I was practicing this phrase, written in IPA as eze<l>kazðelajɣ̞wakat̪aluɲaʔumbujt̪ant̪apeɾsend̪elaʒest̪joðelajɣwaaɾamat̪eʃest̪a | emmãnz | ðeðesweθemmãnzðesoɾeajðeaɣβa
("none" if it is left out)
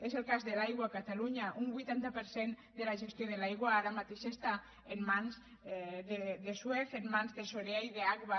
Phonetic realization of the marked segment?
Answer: l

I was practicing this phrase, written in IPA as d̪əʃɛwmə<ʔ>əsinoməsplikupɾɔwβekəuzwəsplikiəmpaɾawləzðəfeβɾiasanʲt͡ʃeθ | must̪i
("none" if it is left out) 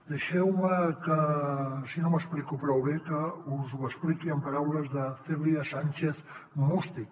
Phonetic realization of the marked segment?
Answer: k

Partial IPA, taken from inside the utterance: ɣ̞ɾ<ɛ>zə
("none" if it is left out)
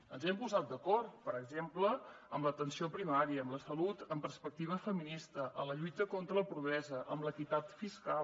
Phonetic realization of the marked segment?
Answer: ɛ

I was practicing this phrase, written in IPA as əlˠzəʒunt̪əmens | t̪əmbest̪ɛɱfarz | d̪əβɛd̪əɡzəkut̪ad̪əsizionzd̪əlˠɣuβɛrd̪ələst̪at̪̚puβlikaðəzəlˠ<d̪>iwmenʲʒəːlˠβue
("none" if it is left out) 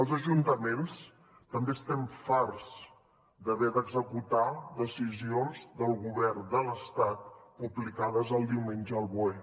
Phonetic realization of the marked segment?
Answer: d̪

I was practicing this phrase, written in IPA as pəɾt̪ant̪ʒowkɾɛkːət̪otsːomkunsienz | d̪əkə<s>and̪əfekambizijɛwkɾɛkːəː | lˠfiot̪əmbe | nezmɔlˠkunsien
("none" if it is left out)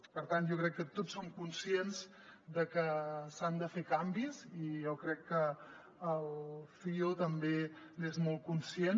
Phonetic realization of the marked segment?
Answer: s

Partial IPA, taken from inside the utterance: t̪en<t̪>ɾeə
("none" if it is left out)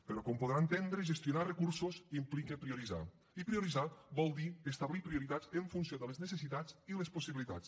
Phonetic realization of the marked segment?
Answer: d̪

